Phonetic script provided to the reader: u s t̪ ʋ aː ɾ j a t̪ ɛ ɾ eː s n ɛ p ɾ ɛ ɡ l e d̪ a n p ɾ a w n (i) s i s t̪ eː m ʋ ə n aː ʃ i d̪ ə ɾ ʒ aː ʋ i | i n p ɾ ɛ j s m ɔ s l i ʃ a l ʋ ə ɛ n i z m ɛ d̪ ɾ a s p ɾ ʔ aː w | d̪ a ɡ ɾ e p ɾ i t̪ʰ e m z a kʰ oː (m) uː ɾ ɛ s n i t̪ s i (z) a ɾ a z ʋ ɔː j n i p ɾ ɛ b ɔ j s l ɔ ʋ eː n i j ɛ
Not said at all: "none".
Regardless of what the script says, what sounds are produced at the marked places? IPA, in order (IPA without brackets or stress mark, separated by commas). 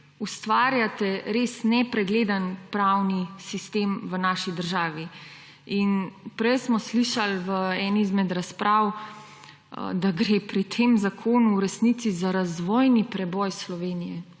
i, n, z